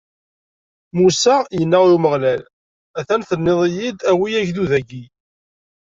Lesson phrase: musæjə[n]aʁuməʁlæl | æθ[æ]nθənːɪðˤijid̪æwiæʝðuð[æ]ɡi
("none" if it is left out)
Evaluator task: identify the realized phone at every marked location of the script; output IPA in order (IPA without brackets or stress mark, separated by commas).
nː, æ, æ